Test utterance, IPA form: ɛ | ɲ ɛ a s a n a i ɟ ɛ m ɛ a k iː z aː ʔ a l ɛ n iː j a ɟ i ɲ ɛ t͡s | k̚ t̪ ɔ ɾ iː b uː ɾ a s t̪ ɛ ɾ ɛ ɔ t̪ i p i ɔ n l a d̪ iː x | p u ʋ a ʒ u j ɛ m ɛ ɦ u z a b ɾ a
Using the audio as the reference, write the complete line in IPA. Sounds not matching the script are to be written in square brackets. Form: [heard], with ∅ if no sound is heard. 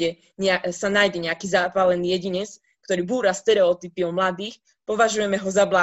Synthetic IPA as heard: ɛ | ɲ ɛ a s a n a [j] ɟ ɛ [ɲ] ɛ a k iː z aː [p] a l ɛ n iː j [ɛ] ɟ i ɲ ɛ t͡s | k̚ t̪ ɔ ɾ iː b uː ɾ a s t̪ ɛ ɾ ɛ ɔ t̪ i p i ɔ [m] l a d̪ iː x | p [ɔ] ʋ a ʒ u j ɛ m ɛ ɦ [ɔ] z a b [l] a